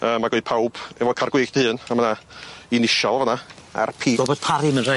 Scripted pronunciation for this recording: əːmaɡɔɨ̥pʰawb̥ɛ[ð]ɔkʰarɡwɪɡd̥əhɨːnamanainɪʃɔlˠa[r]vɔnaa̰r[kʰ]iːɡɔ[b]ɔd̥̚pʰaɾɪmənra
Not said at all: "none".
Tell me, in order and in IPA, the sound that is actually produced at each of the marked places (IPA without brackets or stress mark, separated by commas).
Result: v, none, pʰ, b